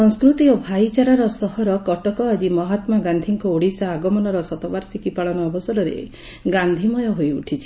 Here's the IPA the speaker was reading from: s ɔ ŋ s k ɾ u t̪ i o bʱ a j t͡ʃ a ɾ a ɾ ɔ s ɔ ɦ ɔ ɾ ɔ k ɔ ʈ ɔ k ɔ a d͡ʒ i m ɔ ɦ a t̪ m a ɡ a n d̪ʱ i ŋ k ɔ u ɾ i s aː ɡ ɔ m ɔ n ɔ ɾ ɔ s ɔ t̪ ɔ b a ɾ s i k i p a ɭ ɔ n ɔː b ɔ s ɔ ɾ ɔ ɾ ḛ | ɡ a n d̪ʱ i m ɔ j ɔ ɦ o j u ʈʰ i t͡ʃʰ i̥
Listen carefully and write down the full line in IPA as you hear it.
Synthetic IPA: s ɔ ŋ s k ɾ u t̪ i o bʱ a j t͡ʃ a ɾ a ɾ ɔ s ɔ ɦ ɔ ɾ ɔ k ɔ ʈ ɔ k ɔ a d͡ʒ i m ɔ ɦ a t̪ m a ɡ a n d̪ʱ i ŋ k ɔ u ɽ i s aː ɡ ɔ m ɔ n ɔ ɾ ɔ s ɔ t̪ ɔ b a ɾ s i k i p a ɭ ɔ n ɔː b ɔ s ɔ ɾ ɔ ɾ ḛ | ɡ a n d̪ʱ i m ɔ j ɔ ɦ o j u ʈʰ i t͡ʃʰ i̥